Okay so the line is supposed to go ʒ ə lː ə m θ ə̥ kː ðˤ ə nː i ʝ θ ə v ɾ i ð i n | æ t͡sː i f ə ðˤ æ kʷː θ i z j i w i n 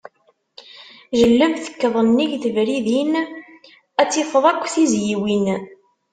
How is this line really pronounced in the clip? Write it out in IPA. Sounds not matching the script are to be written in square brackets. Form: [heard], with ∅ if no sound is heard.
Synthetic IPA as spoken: ʒ ə lː ə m θ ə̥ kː ðˤ ə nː i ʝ θ ə v ɾ i ð i n | æ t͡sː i f ə ðˤ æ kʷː θ i z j i w i n